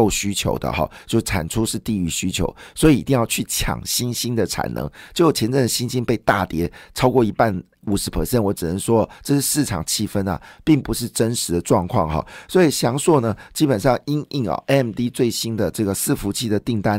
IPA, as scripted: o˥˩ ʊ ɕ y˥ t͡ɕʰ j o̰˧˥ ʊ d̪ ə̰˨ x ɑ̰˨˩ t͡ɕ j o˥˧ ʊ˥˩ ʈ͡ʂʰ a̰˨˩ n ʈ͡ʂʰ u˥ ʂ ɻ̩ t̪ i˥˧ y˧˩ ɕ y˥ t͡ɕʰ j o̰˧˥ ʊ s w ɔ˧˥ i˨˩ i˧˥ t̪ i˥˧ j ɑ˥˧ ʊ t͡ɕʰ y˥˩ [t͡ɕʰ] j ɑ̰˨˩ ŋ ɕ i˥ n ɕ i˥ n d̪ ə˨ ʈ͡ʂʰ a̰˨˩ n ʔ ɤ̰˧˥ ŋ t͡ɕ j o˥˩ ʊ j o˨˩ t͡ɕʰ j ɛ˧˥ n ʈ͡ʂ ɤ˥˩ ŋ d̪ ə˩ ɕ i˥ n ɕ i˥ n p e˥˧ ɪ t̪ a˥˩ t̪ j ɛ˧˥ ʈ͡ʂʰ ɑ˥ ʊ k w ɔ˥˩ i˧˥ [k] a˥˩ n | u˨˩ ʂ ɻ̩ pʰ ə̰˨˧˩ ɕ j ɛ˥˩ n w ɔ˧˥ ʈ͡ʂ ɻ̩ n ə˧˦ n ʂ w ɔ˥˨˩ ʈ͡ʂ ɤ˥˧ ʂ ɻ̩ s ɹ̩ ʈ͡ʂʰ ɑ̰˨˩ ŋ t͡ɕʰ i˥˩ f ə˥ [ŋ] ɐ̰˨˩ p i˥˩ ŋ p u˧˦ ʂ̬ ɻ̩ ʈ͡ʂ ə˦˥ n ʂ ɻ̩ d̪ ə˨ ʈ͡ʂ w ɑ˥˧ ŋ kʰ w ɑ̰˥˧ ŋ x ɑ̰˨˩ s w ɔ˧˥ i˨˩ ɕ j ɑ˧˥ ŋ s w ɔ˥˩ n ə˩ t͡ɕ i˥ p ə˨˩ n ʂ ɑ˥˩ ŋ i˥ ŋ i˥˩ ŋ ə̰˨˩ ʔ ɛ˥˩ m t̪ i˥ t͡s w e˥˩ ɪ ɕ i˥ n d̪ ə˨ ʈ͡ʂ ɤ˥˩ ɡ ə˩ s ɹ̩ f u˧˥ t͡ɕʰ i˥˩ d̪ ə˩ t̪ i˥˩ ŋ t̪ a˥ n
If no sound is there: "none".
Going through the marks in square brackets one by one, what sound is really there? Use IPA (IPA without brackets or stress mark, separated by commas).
t͡ɕʰ, p, n